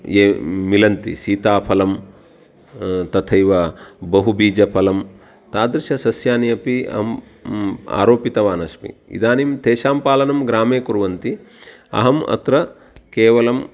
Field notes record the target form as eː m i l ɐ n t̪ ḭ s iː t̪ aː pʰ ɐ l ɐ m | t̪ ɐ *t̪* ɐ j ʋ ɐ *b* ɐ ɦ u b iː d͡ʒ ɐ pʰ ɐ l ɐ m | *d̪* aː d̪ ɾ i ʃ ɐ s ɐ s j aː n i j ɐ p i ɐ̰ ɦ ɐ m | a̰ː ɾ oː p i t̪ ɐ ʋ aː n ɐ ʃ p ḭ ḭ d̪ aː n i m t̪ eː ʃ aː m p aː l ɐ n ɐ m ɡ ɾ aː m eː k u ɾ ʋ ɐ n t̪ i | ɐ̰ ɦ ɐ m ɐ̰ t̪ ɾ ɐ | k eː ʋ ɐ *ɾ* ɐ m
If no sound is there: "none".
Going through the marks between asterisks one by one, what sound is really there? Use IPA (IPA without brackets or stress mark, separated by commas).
t̪ʰ, b, t̪, l